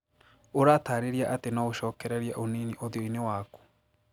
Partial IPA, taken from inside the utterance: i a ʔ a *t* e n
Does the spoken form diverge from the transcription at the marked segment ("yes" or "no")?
no